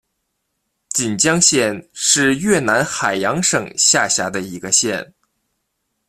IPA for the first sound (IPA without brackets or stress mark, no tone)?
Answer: t͡ɕ